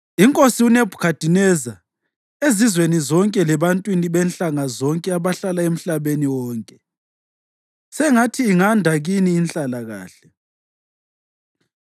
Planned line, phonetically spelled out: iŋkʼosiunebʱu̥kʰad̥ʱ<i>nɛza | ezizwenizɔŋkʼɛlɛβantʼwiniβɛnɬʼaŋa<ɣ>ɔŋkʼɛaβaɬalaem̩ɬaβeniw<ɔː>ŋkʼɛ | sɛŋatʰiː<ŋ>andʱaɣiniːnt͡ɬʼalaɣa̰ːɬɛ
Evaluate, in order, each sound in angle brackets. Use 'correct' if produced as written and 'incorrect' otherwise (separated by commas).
correct, incorrect, correct, correct